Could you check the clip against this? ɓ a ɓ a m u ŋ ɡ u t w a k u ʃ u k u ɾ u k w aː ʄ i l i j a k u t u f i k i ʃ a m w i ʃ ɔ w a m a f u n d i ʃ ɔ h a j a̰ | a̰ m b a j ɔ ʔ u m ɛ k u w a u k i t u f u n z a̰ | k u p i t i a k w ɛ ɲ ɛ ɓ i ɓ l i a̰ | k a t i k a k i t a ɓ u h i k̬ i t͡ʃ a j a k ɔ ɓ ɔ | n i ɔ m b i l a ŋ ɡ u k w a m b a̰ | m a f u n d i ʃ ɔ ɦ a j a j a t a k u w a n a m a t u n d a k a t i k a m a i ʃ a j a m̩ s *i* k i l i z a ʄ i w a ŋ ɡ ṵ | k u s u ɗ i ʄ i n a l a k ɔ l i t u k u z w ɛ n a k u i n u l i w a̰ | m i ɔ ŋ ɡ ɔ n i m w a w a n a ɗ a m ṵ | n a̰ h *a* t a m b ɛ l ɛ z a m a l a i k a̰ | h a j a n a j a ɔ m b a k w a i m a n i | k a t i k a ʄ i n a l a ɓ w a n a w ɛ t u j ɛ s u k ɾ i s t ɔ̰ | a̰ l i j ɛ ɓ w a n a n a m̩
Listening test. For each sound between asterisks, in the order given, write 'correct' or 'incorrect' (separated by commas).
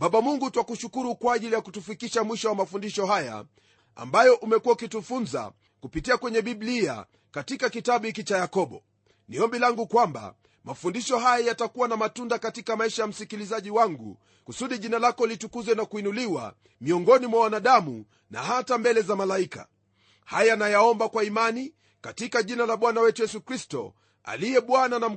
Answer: correct, correct